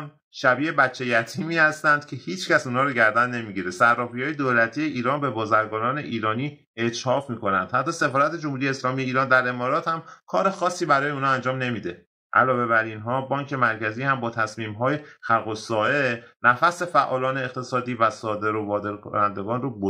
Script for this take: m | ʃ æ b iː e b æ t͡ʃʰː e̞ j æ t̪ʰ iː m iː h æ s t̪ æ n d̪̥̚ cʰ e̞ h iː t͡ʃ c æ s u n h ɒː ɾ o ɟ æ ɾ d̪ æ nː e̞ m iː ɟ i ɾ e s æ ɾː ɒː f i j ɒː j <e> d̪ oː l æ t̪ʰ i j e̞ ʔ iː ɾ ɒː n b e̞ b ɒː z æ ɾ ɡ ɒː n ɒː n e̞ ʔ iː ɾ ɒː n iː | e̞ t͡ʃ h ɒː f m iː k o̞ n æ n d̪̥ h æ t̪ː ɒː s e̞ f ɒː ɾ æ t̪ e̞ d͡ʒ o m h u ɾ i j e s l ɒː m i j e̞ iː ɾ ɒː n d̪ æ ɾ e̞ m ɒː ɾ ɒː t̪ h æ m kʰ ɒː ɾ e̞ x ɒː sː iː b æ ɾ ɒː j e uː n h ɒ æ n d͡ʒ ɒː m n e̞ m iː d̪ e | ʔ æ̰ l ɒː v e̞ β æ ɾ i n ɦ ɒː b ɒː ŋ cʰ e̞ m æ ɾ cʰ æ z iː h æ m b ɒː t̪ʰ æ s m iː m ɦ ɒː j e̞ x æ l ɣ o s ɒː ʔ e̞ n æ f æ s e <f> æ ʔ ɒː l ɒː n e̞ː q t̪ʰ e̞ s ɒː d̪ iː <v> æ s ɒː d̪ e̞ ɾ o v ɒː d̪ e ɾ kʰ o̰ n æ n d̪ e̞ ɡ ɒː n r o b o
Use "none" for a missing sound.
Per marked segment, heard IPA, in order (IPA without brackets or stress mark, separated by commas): e, f, v